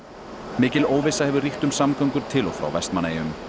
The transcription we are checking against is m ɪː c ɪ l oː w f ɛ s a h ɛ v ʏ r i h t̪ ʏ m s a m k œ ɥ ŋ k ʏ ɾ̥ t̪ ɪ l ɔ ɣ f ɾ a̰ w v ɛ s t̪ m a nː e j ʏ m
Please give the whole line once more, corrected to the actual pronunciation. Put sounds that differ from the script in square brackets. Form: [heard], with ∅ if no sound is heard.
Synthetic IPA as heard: m ɪː c ɪ l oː w [v] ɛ s a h ɛ v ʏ r i h t̪ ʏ m s a m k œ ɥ ŋ k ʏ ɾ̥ [t̪ʰ] ɪ l ɔ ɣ f ɾ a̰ w v ɛ s t̪ m a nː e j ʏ m